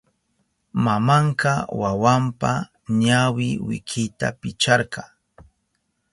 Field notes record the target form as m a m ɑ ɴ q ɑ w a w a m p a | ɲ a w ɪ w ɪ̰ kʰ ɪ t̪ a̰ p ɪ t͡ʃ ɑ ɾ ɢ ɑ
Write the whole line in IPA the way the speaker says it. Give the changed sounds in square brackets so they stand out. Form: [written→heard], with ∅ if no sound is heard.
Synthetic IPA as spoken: m a m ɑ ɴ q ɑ w a w a m p a | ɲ a w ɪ w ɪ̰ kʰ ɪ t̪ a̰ p ɪ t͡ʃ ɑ ɾ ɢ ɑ